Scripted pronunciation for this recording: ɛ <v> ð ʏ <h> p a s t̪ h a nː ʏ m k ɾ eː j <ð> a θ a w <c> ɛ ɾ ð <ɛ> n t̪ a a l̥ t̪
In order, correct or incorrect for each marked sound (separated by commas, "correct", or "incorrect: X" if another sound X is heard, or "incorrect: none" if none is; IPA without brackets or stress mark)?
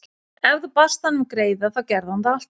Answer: correct, incorrect: none, correct, correct, incorrect: a